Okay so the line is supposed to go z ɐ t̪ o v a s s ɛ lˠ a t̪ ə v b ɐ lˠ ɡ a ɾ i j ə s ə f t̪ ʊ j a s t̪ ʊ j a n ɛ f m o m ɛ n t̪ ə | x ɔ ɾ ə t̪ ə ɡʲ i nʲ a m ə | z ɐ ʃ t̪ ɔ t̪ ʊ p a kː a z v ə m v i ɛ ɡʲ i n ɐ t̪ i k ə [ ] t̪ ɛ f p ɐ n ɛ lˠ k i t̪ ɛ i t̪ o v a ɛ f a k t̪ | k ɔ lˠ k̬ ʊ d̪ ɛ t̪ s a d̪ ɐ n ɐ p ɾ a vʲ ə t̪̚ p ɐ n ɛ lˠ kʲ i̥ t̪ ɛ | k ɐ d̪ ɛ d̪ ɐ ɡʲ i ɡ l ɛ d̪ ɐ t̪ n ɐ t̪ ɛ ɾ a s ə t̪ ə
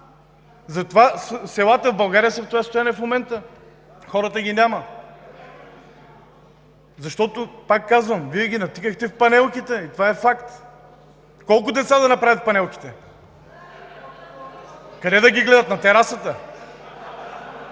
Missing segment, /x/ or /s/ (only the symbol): x